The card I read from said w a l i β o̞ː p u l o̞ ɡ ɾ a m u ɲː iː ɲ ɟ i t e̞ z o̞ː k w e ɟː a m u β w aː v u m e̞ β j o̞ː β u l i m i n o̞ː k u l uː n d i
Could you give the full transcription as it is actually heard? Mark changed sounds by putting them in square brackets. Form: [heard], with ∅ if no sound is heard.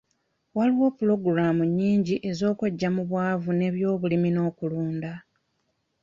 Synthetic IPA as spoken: w a l i [w] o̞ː p u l o̞ ɡ ɾ a m u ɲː iː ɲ ɟ i [ʔ] e̞ z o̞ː k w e ɟː a m u β w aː v u [n] e̞ β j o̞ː β u l i m i n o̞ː k u l uː n d [a]